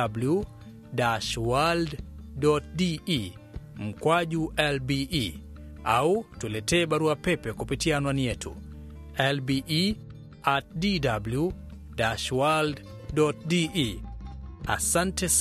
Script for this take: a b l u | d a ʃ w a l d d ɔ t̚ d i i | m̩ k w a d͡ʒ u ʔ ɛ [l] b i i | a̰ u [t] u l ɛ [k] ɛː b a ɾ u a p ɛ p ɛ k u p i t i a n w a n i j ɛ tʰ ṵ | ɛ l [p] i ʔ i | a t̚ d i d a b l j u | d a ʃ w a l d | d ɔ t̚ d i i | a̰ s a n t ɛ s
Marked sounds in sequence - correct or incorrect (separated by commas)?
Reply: correct, correct, incorrect, incorrect